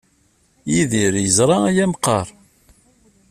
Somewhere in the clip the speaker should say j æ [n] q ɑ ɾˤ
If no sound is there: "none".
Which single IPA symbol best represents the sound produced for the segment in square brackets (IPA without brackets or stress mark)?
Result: m